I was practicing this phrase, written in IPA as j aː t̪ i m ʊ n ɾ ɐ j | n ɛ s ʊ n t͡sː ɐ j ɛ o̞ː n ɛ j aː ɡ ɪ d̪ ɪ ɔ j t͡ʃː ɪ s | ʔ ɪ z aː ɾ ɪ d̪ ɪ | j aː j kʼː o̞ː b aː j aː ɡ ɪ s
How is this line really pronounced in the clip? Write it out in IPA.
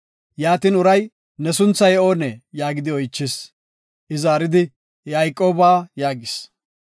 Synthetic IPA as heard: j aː t̪ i n ʊ ɾ ɐ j | n ɛ s ʊ n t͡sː ɐ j ɛ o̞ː n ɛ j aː ɡ ɪ d̪ ɪ ɔ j t͡ʃː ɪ s | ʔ ɪ z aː ɾ ɪ d̪ ɪ | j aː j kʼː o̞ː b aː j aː ɡ ɪ s

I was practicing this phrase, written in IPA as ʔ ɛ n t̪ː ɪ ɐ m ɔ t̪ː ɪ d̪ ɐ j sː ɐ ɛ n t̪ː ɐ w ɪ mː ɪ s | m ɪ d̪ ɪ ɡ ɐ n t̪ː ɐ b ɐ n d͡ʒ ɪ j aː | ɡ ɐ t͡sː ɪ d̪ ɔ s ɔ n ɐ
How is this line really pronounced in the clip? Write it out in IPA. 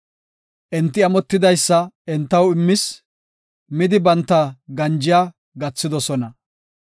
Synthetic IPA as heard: ʔ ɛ n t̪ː ɪ ɐ m ɔ t̪ː ɪ d̪ ɐ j sː ɐ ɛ n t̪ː ɐ w ɪ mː ɪ s | m ɪ d̪ ɪ b ɐ n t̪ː ɐ ɡ ɐ n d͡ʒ ɪ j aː | ɡ ɐ t͡sː ɪ d̪ ɔ s ɔ n ɐ

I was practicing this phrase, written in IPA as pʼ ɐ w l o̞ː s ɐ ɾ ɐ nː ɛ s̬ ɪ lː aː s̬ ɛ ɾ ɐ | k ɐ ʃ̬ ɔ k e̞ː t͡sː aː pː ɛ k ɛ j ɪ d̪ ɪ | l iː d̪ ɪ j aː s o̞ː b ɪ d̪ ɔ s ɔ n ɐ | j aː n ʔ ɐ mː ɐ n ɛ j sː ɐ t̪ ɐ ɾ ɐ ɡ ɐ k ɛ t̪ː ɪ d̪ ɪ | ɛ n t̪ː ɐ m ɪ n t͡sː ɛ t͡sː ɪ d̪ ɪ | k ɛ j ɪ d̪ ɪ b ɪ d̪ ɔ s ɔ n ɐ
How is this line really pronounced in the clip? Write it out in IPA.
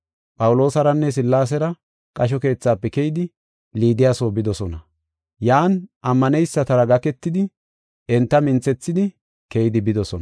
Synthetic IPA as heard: pʼ ɐ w l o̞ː s ɐ ɾ ɐ nː ɛ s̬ ɪ lː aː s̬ ɛ ɾ ɐ | kʼ ɐ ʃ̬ ɔ k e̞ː t͡sː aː pː ɛ k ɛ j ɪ d̪ ɪ | l iː d̪ ɪ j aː s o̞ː b ɪ d̪ ɔ s ɔ n ɐ | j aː n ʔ ɐ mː ɐ n ɛ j sː ɐ t̪ ɐ ɾ ɐ ɡ ɐ k ɛ t̪ː ɪ d̪ ɪ | ɛ n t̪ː ɐ m ɪ n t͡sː ɛ t͡sː ɪ d̪ ɪ | k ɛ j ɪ d̪ ɪ b ɪ d̪ ɔ s ɔ n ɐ

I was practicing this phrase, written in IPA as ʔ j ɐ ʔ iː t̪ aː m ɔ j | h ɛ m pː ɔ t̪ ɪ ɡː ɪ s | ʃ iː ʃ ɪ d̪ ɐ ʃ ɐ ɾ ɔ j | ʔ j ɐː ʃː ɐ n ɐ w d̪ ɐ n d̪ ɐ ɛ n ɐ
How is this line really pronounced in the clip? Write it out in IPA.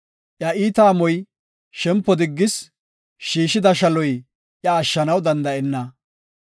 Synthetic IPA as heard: ʔ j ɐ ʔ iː t̪ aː m ɔ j | ʃ ɛ m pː ɔ d̪ ɪ ɡː ɪ s | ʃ iː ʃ ɪ d̪ ɐ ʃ ɐ l ɔ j | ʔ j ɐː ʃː ɐ n ɐ w d̪ ɐ n d̪ ɐ ɛ nː ɐ

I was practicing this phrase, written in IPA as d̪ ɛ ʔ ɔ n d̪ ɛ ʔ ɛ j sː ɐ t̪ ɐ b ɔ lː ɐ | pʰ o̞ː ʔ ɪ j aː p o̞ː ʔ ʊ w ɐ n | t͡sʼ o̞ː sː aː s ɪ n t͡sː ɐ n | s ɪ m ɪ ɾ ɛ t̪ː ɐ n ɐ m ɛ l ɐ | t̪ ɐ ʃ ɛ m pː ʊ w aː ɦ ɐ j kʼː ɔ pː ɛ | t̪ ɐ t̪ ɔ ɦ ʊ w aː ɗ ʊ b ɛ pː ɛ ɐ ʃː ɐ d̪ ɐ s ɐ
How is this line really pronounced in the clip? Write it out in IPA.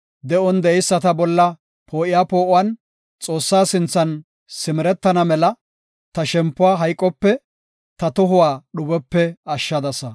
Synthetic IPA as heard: d̪ ɛ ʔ ɔ n d̪ ɛ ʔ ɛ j sː ɐ t̪ ɐ b ɔ lː ɐ | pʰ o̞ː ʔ ɪ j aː p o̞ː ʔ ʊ w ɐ n | t͡sʼ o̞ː sː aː s ɪ n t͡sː ɐ n | s ɪ m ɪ ɾ ɛ t̪ː ɐ n ɐ m ɛ l ɐ | t̪ ɐ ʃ ɛ m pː ʊ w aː ɦ ɐ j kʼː ɔ pː ɛ | t̪ ɐ t̪ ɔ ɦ ʊ w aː ɗ ʊ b ɛ pː ɛ ɐ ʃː ɐ d̪ ɐ s ɐ

